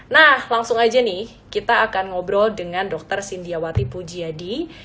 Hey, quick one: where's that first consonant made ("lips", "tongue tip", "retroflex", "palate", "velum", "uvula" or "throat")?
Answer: tongue tip